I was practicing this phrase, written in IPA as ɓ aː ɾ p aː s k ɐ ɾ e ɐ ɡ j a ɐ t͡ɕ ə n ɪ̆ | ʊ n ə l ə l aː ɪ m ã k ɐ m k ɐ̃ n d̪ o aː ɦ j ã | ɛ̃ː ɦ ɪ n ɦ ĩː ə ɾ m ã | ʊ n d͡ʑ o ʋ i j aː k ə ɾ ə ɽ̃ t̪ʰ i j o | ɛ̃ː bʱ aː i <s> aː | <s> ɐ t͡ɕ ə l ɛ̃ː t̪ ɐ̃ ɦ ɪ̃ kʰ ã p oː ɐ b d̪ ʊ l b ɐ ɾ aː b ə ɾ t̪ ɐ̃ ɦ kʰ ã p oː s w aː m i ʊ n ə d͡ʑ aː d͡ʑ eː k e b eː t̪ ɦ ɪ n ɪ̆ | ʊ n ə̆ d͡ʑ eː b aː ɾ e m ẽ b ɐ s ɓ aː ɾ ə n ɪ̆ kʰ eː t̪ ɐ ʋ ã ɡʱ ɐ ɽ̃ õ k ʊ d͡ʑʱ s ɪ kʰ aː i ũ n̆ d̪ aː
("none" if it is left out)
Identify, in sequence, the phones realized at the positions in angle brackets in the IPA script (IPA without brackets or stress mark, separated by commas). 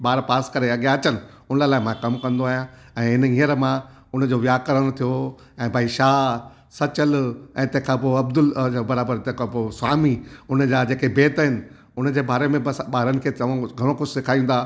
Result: ʃ, s